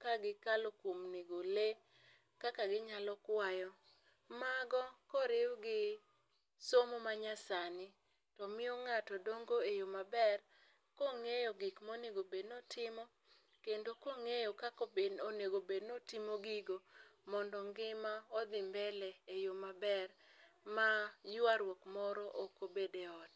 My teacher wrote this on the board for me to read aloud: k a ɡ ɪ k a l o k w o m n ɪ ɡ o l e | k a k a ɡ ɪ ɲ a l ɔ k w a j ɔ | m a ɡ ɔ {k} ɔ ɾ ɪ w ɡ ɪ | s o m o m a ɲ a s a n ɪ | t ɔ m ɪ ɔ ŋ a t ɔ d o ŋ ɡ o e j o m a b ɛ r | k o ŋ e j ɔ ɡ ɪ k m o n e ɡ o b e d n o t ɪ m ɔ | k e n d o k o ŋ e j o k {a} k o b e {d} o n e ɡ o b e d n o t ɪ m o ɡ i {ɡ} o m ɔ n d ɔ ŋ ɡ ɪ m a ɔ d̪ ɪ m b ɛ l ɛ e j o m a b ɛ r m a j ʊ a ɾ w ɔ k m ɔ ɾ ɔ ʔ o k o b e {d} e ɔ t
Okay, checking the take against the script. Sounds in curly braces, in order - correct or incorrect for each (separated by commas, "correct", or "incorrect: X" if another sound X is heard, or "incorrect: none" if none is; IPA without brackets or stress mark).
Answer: correct, correct, incorrect: n, correct, correct